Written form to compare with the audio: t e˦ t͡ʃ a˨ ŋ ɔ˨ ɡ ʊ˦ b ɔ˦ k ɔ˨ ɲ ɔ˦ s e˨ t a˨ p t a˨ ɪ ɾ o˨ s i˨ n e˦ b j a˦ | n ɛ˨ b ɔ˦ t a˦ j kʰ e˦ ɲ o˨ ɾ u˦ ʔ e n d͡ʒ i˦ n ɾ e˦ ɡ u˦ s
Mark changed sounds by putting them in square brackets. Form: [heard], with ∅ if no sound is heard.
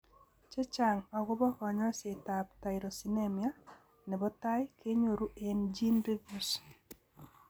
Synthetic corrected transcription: [t͡ʃ] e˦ t͡ʃ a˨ ŋ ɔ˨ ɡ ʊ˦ b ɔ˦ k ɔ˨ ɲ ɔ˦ s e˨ t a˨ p t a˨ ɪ ɾ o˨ s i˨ n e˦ [m] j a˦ | n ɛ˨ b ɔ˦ t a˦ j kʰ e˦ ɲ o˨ ɾ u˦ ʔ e n d͡ʒ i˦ n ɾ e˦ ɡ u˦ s